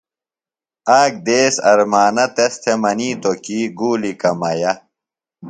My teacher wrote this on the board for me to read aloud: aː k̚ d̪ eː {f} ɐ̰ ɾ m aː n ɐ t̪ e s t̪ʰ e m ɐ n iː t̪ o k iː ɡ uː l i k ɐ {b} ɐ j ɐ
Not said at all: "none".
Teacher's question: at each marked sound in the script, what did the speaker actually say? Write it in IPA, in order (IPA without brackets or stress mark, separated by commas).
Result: s, m